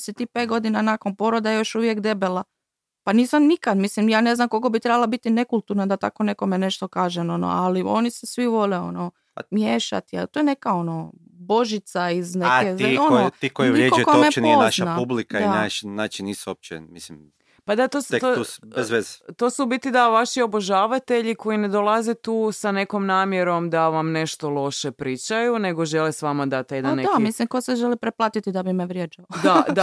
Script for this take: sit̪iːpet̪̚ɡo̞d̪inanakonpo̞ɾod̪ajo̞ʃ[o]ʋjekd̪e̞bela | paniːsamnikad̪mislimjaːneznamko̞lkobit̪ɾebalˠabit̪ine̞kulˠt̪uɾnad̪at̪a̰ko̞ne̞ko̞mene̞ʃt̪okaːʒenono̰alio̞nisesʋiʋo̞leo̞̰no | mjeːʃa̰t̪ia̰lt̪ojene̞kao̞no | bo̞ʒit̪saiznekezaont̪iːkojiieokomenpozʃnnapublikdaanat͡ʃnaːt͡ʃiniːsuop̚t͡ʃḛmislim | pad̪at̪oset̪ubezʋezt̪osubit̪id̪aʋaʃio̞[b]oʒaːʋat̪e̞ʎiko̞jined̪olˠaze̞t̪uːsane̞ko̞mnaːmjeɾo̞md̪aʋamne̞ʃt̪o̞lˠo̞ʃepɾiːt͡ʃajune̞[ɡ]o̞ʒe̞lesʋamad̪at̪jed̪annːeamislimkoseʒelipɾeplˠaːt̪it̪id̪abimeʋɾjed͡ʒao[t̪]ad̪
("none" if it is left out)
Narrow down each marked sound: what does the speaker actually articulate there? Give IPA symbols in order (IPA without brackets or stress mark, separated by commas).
u, b, ɡ, d̪